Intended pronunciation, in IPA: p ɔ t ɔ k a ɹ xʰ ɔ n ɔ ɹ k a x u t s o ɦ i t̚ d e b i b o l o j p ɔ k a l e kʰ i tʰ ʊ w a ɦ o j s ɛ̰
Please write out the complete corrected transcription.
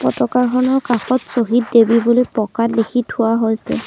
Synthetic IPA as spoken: p ɔ t ɔ k a ɹ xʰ ɔ n ɔ ɹ k a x ɔ t s o ɦ i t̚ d e b i b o l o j p ɔ k a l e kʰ i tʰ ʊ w a ɦ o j s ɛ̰